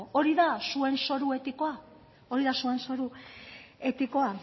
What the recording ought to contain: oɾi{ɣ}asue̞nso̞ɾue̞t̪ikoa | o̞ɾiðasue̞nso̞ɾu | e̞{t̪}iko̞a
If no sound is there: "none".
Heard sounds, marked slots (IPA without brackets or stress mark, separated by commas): ð, t̪